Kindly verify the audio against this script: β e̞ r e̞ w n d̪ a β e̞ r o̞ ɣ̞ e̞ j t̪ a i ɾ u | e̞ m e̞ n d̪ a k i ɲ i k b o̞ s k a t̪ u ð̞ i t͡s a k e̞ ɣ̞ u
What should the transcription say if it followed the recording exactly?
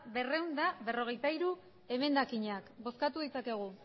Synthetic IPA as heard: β e̞ r e̞ w n d̪ a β e̞ r o̞ ɣ̞ e̞ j t̪ a i ɾ u | e̞ m e̞ n d̪ a k i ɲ a k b o̞ s k a t̪ u ð̞ i t͡s a k e̞ ɣ̞ u